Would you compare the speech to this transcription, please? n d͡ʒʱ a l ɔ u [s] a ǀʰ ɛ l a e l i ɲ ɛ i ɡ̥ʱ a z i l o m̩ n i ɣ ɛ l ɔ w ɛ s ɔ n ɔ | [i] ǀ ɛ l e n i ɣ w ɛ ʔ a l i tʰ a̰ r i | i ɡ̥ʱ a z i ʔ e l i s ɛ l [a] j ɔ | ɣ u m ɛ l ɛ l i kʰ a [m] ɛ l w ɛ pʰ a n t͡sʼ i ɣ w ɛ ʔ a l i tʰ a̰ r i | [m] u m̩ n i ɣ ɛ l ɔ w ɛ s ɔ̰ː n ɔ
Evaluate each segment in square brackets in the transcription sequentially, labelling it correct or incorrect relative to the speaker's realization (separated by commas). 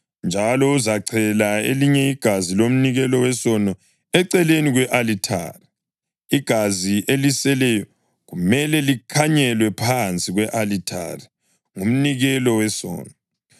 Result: incorrect, incorrect, incorrect, incorrect, incorrect